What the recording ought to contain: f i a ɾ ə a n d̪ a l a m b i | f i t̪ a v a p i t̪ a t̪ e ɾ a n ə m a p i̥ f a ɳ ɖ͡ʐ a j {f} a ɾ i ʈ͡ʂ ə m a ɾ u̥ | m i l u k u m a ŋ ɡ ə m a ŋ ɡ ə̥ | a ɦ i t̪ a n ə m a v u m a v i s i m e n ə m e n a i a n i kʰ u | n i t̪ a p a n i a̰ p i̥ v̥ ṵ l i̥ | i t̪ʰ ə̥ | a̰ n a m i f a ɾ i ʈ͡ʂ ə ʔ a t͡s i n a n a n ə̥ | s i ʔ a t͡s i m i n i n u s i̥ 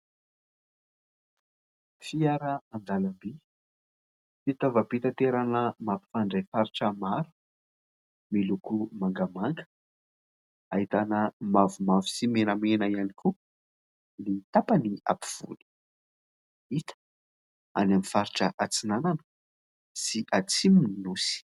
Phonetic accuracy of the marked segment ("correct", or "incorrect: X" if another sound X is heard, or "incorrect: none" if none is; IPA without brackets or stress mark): correct